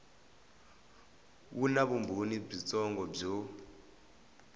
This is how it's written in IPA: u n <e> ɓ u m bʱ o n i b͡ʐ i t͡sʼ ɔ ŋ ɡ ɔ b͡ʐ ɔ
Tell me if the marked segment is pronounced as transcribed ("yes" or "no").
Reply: no